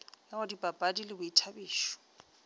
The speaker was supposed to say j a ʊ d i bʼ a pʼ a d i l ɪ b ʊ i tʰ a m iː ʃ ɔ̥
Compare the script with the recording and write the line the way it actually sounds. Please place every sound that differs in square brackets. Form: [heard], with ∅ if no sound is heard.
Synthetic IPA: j a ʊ d i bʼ a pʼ a d i l ɪ b ʊ i tʰ a [b] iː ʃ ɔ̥